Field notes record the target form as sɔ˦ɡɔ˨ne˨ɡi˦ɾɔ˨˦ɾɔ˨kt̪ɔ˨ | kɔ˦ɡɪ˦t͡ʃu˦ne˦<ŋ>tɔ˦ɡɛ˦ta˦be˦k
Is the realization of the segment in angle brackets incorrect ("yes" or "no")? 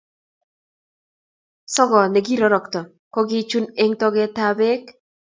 no